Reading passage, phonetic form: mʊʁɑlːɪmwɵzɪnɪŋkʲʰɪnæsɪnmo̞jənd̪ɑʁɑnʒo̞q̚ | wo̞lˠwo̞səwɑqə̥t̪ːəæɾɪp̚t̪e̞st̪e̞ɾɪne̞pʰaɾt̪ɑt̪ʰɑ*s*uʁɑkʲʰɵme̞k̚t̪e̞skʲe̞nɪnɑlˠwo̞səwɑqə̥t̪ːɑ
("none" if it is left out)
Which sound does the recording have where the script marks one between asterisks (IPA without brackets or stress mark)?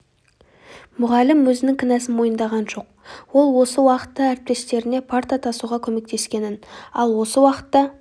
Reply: s